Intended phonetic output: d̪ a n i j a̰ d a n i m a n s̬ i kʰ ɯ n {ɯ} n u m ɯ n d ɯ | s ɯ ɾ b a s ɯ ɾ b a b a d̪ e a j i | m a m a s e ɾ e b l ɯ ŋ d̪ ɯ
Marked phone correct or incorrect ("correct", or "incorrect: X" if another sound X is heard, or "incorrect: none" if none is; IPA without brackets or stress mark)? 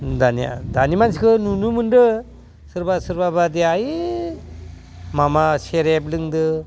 incorrect: u